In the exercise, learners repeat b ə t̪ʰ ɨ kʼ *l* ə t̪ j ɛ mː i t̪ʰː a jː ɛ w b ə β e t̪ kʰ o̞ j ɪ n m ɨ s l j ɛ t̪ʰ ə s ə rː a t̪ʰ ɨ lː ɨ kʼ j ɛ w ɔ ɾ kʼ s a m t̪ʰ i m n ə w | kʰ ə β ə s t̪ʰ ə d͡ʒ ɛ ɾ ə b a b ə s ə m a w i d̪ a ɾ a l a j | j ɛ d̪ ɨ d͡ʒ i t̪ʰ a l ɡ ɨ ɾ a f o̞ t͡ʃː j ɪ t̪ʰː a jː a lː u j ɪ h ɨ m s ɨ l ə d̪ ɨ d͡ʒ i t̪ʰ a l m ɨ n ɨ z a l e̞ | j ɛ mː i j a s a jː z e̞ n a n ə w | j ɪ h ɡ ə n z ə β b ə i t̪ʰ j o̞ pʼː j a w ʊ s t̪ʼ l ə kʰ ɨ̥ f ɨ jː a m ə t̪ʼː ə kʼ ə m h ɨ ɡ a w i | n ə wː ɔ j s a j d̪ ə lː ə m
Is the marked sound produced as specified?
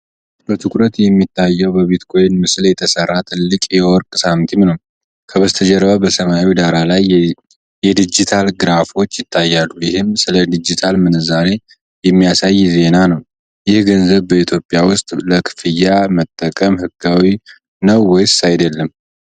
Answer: no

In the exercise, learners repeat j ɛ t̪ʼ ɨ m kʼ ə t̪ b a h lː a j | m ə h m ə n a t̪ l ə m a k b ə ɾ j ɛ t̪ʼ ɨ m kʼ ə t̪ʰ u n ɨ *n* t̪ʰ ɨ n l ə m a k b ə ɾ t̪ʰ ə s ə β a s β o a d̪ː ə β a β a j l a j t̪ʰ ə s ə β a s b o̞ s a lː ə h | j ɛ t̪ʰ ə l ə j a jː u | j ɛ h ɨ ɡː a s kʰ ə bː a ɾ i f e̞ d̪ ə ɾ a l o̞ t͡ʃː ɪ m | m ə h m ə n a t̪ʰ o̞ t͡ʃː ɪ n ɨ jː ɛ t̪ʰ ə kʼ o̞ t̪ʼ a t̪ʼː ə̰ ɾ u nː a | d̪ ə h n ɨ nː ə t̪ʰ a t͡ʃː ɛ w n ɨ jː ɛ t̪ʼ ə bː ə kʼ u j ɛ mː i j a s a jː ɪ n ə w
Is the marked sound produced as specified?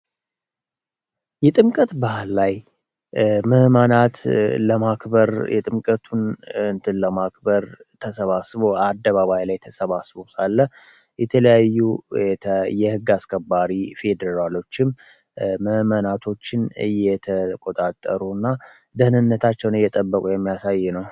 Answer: yes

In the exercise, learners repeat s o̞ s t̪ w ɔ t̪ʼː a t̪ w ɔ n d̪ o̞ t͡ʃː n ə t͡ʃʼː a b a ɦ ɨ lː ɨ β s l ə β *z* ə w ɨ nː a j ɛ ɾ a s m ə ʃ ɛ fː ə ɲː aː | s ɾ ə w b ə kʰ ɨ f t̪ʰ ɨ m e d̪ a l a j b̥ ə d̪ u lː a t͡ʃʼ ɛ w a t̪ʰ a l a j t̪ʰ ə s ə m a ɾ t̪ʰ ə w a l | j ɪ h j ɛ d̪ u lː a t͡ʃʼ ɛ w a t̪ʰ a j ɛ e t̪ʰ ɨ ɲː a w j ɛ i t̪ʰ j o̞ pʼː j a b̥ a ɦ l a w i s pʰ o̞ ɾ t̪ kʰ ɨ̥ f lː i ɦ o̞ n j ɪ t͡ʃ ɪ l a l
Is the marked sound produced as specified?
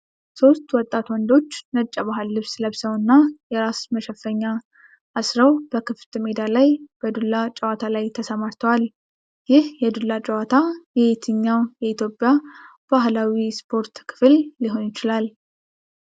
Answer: no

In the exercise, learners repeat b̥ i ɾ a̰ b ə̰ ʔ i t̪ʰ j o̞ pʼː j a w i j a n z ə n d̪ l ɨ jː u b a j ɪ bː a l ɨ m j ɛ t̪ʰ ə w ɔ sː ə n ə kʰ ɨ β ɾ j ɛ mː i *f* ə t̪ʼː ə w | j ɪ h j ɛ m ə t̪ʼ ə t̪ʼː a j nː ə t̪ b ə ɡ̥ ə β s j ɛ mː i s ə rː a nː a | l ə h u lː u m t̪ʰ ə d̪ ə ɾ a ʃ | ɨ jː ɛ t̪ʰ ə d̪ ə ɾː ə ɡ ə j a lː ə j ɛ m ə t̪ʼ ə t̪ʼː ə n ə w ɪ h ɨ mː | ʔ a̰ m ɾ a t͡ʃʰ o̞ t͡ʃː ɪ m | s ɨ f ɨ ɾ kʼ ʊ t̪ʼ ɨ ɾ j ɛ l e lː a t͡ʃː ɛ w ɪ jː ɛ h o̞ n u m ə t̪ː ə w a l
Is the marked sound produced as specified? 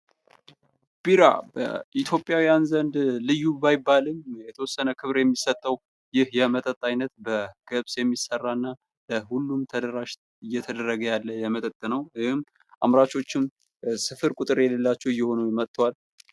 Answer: no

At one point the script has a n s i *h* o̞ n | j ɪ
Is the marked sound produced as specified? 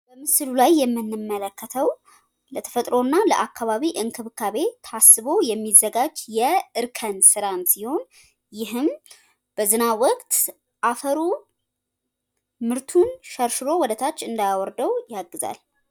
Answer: yes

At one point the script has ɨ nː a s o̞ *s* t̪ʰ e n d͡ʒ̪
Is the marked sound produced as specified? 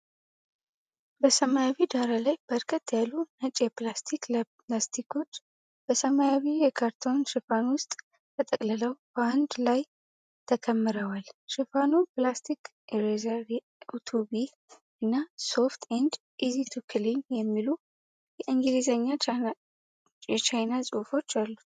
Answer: no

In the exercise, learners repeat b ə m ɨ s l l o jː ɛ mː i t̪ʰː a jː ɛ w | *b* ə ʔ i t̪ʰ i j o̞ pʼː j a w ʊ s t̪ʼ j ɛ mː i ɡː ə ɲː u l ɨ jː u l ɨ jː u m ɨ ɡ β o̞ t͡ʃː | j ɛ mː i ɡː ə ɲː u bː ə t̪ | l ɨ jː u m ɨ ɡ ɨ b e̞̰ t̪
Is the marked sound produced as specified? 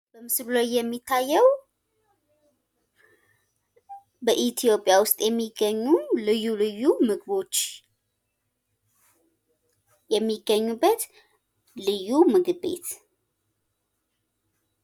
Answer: yes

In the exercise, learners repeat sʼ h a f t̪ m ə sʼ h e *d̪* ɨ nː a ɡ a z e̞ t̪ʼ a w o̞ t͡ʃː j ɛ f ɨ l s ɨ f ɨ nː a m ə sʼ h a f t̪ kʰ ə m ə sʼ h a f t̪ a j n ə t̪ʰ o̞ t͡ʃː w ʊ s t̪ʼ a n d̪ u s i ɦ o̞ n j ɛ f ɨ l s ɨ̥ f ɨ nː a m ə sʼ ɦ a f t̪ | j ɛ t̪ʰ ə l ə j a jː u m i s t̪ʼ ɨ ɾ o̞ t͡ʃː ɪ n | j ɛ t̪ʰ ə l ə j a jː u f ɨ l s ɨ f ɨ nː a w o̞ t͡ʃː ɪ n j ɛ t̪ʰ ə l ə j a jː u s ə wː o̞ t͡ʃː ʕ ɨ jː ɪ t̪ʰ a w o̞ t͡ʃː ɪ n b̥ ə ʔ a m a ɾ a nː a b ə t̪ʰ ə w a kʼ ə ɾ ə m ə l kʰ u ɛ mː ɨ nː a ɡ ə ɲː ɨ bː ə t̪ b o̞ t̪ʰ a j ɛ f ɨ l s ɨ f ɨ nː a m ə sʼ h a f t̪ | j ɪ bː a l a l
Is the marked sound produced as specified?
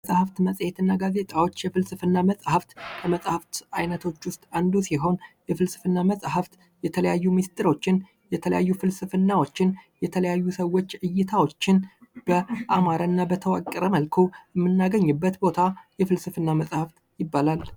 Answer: no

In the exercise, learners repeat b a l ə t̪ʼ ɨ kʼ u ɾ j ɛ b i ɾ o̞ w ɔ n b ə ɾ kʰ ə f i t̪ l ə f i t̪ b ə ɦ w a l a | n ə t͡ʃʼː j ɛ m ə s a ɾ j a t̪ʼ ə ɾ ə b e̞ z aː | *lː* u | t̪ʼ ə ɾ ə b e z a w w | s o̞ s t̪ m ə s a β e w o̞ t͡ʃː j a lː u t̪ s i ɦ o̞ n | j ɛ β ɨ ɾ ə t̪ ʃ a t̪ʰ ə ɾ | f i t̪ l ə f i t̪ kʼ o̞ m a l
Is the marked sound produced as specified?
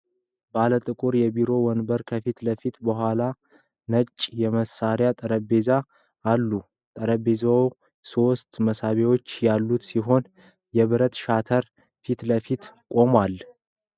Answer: yes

